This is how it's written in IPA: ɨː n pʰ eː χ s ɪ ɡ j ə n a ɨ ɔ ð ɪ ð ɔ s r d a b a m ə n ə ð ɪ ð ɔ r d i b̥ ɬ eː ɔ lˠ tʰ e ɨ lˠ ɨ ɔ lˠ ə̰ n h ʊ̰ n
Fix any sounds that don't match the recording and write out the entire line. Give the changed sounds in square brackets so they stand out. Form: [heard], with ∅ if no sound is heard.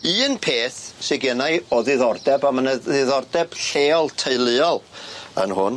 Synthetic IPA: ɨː n pʰ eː [θ] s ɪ ɡ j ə n a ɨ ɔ ð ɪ ð ɔ [∅] r d [ɛ] b a m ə n ə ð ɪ ð ɔ r d [ɛ] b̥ ɬ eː ɔ lˠ tʰ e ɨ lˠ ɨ ɔ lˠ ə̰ n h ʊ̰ n